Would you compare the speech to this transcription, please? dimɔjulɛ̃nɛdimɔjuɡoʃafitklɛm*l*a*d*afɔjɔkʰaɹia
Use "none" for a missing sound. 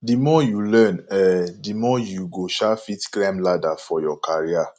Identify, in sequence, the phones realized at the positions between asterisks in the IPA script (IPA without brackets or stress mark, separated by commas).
l, d